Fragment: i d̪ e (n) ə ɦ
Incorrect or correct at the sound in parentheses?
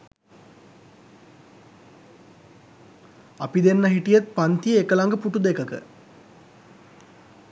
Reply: incorrect: nː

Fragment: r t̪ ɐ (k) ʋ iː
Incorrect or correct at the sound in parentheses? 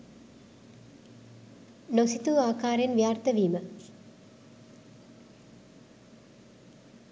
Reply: incorrect: none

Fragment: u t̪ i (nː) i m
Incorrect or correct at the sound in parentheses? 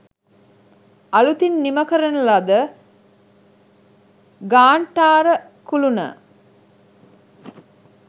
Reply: correct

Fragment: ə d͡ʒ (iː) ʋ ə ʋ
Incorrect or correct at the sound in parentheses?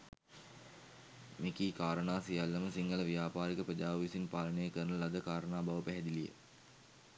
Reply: incorrect: aː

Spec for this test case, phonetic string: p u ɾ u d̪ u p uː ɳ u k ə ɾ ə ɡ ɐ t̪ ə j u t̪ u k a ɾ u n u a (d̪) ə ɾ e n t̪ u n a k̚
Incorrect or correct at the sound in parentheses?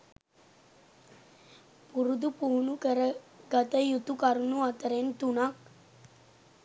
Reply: incorrect: t̪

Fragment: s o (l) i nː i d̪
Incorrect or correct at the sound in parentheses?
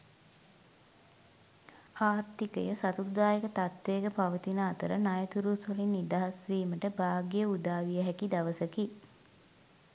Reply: correct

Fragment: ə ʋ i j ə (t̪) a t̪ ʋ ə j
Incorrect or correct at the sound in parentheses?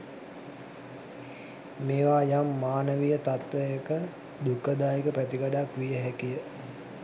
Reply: correct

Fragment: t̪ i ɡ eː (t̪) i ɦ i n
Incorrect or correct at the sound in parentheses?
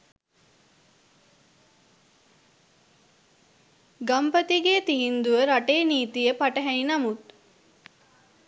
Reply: correct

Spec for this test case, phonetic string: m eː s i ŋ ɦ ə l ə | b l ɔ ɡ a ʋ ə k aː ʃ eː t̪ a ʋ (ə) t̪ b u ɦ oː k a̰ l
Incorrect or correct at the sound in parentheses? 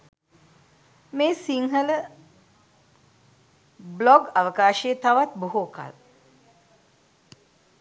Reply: incorrect: a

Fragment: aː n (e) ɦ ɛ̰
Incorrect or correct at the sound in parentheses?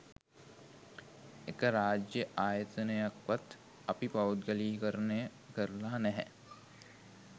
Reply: incorrect: ɛ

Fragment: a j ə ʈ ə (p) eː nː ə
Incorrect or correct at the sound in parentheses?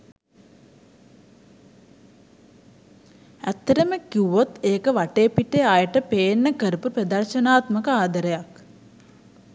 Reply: correct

